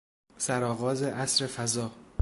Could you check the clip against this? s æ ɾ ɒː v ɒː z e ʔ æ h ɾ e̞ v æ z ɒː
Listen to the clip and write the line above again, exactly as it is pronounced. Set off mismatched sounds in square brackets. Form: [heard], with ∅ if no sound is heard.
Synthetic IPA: s æ ɾ ɒː [ɣ] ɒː z e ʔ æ [s] ɾ e̞ [f] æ z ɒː